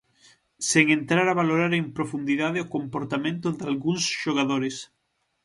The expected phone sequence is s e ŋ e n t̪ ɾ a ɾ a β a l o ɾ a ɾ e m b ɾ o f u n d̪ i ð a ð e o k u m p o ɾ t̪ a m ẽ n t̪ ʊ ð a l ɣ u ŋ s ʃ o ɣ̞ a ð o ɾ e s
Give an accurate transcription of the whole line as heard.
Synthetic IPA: s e ŋ e n t̪ ɾ a ɾ a β a l o ɾ a ɾ e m p ɾ o f u n d̪ i ð a ð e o k o m p o ɾ t̪ a m ẽ n t̪ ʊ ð a l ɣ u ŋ s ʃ o ɣ̞ a ð o ɾ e s